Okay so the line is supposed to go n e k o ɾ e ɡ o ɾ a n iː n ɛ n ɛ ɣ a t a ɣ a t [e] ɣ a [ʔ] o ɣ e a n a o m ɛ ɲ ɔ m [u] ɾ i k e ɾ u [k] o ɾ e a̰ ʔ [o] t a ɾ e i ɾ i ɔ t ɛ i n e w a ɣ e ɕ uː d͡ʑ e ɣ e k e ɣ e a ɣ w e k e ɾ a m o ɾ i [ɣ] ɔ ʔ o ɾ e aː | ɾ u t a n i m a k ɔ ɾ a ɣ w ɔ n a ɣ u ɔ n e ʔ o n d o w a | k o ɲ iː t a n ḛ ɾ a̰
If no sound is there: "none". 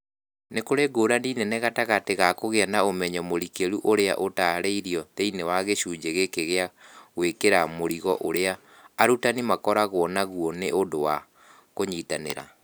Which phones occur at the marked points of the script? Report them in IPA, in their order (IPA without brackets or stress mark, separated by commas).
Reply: e, k, o, ʔ, o, ɣ